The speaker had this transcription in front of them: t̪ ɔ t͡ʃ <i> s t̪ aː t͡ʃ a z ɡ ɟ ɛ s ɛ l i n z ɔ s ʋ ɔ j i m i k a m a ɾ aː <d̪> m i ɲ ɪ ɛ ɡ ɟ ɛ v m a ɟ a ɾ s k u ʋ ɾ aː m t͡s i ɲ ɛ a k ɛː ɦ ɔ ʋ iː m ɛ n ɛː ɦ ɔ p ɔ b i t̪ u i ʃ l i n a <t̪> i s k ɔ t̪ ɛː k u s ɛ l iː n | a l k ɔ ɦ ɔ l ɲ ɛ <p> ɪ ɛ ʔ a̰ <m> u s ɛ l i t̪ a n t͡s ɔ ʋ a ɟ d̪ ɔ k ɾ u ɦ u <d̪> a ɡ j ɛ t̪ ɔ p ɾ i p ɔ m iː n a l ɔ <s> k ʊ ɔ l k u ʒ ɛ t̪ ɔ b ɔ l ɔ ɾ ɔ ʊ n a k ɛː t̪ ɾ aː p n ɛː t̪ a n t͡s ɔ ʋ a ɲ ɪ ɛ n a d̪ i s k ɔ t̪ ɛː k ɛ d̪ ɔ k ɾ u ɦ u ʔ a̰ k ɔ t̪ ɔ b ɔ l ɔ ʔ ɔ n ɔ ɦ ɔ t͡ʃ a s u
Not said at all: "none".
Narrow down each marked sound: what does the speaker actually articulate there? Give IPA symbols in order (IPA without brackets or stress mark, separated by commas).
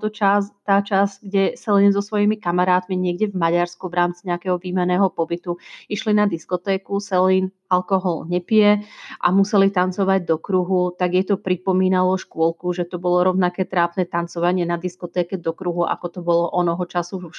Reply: a, t̪, d̪, p, m, t̪, ʃ